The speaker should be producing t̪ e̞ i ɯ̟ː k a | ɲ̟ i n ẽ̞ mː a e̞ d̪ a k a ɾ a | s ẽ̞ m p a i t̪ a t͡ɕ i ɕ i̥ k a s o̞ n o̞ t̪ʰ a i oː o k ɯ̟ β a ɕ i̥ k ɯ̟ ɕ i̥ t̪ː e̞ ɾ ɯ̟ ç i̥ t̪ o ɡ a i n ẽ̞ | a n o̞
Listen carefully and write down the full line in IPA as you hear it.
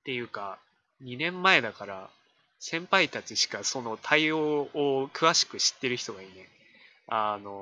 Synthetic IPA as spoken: t̪ e̞ j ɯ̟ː k a | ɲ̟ i n ẽ̞ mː a e̞ d̪ a k a ɾ a | s ẽ̞ m p a i t̪ a t͡ɕ i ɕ i̥ k a s o̞ n o̞ t̪ʰ a i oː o k ɯ̟ β a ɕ i̥ k ɯ̟ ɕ i̥ t̪ː e̞ ɾ ɯ̟ ç i̥ t̪ o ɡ a i n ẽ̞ | a n o̞

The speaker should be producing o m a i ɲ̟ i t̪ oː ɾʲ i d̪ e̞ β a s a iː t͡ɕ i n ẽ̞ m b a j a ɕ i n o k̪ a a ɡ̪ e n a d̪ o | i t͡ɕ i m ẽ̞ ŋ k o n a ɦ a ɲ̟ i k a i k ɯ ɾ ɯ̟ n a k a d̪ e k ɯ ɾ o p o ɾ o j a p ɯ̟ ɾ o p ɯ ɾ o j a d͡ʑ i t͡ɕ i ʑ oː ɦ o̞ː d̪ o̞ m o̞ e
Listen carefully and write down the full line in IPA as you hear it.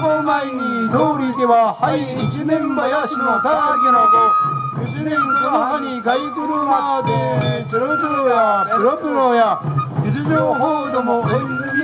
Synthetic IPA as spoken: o m a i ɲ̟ i d̪ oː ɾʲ i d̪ e̞ β a h a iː t͡ɕ i n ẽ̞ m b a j a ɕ i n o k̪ a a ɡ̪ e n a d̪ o | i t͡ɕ i n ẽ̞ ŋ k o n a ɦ a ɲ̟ i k a i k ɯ ɾ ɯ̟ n a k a d̪ e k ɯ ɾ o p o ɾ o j a p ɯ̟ ɾ o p ɯ ɾ o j a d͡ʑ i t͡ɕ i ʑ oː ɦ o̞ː d̪ o̞ m o̞ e

